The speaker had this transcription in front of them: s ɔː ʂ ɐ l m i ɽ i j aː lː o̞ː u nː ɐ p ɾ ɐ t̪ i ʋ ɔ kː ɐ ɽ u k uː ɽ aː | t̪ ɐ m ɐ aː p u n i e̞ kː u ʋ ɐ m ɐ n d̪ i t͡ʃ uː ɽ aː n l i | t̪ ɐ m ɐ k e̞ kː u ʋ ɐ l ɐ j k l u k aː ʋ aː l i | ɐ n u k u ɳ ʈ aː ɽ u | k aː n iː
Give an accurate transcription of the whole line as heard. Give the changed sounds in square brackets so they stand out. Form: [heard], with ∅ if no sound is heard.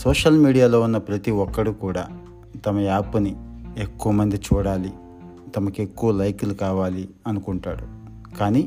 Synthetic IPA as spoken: s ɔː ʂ ɐ l m [iː] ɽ i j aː [l] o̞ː u nː ɐ p ɾ ɐ t̪ i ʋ ɔ kː ɐ ɽ u k uː ɽ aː | t̪ ɐ m ɐ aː p u n i e̞ kː u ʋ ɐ m ɐ n d̪ i t͡ʃ uː ɽ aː [∅] l i | t̪ ɐ m ɐ k e̞ kː u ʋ ɐ l ɐ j k l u k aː ʋ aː l i | ɐ n u k u ɳ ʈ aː ɽ u | k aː n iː